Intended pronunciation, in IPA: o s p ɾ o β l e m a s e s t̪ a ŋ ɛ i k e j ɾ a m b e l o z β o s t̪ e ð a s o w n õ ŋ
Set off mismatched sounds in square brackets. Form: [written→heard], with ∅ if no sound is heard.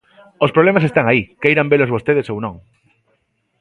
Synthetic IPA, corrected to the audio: o s p ɾ o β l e m a s e s t̪ a ŋ [ɛ→a] i k e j ɾ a m b e l o z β o s t̪ e ð [a→e] s o w n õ ŋ